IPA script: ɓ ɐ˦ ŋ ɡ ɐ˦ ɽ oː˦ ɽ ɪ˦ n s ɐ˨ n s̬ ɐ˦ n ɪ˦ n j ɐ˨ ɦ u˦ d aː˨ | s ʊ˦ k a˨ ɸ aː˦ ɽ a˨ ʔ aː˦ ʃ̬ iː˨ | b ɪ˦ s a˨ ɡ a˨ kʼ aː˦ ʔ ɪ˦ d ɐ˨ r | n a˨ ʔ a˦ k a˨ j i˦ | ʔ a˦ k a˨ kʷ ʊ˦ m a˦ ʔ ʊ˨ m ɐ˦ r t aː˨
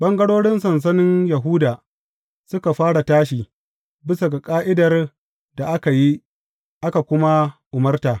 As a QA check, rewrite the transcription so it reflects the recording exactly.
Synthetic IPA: ɓ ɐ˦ ŋ ɡ ɐ˦ ɽ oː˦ ɽ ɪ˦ n s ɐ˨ n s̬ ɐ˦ n ɪ˦ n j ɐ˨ ɦ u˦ d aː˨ | s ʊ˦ k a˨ ɸ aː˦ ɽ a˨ t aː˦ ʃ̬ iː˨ | b ɪ˦ s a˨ ɡ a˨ kʼ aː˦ ʔ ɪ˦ d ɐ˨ r | d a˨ ʔ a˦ k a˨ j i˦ | ʔ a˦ k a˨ kʷ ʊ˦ m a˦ ʔ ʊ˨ m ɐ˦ r t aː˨